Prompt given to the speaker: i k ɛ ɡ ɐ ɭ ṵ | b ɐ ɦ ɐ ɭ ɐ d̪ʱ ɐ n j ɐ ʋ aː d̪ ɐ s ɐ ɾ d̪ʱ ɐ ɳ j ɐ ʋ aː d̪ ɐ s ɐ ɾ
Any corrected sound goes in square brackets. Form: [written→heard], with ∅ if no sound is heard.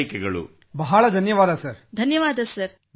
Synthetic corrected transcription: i k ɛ ɡ ɐ ɭ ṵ | b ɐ ɦ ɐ ɭ ɐ d̪ʱ ɐ n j ɐ ʋ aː d̪ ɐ s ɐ ɾ d̪ʱ ɐ [ɳ→n] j ɐ ʋ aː d̪ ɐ s ɐ ɾ